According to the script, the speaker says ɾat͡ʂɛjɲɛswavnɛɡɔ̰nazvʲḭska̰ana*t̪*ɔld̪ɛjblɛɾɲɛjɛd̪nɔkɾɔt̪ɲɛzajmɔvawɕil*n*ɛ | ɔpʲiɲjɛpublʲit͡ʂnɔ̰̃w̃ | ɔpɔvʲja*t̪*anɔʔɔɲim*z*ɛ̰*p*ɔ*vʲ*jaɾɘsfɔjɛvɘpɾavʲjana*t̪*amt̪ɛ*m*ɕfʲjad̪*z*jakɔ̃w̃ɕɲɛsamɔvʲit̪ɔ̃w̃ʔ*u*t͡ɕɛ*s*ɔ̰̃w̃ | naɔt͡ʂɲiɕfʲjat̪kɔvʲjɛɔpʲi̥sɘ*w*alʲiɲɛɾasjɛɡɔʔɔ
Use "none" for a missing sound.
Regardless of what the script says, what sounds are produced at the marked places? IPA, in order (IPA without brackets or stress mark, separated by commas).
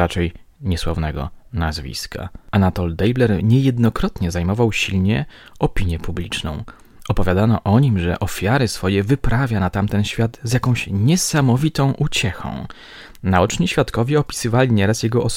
t̪, ɲ, d̪, ʐ, ʔ, fʲ, t̪, n, z, u, x, v